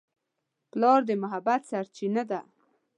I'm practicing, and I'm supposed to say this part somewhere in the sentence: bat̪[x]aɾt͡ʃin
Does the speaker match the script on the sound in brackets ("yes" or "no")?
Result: no